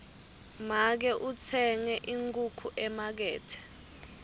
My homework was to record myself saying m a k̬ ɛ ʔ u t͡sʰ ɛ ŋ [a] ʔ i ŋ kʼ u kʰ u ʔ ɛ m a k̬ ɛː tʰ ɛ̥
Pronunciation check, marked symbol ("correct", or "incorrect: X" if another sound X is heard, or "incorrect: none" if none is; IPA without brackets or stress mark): incorrect: ɛ